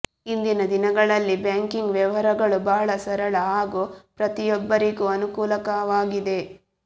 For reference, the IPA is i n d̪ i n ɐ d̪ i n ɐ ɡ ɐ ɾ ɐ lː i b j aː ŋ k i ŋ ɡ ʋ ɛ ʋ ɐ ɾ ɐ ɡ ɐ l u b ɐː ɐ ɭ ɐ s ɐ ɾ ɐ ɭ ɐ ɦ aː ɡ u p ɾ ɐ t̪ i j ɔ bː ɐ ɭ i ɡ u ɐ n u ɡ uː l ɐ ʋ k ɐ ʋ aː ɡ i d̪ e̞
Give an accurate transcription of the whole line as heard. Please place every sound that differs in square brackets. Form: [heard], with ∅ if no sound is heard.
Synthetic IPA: i n d̪ i n ɐ d̪ i n ɐ ɡ ɐ [ɭ] ɐ lː i b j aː ŋ k i ŋ ɡ ʋ ɛ ʋ ɐ ɾ ɐ ɡ ɐ [ɭ] u b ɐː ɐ ɭ ɐ s ɐ ɾ ɐ ɭ ɐ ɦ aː ɡ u p ɾ ɐ t̪ i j ɔ bː ɐ [ɾ] i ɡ u ɐ n u [k] uː l ɐ [∅] k ɐ ʋ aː ɡ i d̪ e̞